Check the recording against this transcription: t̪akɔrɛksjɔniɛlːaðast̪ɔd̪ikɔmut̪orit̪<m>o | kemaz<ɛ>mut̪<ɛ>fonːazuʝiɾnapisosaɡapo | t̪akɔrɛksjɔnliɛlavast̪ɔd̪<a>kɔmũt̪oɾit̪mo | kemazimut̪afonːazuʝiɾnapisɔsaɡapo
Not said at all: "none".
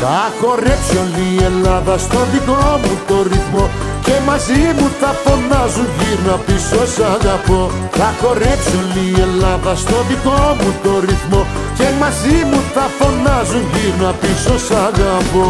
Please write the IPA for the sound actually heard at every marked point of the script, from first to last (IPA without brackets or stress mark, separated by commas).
m, i, a, i